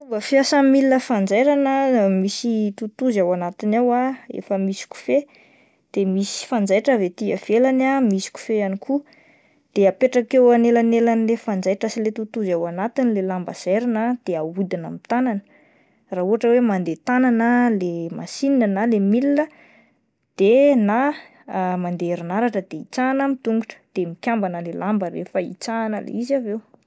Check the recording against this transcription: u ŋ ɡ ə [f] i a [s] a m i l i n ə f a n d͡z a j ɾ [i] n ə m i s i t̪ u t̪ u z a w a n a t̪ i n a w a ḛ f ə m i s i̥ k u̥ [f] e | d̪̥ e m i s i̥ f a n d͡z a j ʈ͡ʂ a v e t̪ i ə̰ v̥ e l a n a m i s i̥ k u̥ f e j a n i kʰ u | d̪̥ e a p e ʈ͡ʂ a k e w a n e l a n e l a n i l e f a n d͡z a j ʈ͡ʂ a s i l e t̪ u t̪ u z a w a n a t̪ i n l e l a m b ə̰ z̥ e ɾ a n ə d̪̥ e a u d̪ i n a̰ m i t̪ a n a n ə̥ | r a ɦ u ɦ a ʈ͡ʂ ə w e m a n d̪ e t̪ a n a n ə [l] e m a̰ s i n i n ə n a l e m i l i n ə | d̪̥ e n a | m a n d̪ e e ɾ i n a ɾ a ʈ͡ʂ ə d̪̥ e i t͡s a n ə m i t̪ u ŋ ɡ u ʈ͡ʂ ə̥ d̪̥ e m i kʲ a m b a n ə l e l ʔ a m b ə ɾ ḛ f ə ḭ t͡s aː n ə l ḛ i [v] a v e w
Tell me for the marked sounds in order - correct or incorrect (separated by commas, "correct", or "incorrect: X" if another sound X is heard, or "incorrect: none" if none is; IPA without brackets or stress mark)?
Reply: correct, correct, incorrect: a, correct, correct, incorrect: z